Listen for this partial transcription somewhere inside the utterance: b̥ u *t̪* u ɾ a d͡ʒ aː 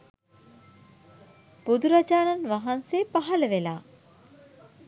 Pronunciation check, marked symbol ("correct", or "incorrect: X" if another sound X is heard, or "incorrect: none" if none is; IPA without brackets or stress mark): incorrect: d̪